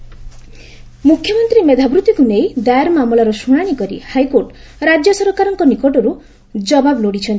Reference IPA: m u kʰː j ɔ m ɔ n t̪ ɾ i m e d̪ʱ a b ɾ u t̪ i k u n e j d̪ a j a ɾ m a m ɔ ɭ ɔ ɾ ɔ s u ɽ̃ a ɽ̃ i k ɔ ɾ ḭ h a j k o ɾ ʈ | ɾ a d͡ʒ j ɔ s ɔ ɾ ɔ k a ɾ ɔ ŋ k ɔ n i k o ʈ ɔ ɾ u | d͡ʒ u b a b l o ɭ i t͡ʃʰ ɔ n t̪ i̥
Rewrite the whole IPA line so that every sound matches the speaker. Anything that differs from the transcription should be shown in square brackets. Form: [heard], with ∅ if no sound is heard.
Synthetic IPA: m u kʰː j ɔ m ɔ n t̪ ɾ i m e d̪ʱ a b ɾ u t̪ i k u n e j d̪ a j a ɾ m a m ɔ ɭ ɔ ɾ ɔ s u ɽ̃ a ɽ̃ i k ɔ ɾ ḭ h a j k o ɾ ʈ | ɾ a d͡ʒ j ɔ s ɔ ɾ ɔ k a ɾ ɔ ŋ k ɔ n i k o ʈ ɔ ɾ u | d͡ʒ [ɔ] b a b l o [ɽ] i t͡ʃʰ ɔ n t̪ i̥